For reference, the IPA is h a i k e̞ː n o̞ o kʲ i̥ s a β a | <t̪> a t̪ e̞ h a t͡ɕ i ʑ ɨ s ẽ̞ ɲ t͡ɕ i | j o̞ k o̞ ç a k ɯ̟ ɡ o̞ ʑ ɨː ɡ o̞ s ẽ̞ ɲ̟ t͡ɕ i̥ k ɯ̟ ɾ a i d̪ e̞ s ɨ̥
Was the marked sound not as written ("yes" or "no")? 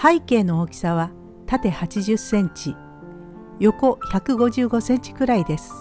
no